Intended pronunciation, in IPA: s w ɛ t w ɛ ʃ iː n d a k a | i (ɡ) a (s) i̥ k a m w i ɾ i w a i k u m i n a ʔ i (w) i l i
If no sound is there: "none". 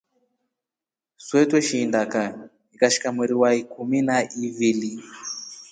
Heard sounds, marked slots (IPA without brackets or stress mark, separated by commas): k, ʃ, v